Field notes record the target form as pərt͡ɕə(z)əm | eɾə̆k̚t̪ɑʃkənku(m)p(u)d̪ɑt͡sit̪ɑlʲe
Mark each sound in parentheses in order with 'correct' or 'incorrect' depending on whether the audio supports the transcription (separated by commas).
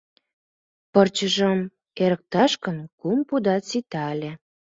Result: incorrect, correct, correct